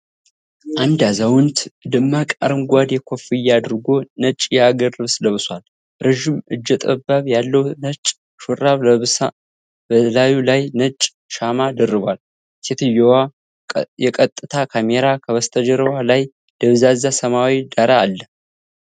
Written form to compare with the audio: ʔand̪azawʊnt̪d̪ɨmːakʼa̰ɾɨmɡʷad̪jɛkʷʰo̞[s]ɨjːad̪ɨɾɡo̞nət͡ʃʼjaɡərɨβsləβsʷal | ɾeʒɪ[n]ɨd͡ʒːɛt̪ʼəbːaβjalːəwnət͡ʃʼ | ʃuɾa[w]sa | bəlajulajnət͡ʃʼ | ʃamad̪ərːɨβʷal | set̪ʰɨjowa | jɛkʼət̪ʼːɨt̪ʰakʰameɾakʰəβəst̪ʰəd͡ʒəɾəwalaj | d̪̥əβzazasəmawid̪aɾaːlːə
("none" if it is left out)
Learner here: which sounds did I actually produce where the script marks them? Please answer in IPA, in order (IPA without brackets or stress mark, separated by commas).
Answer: f, m, β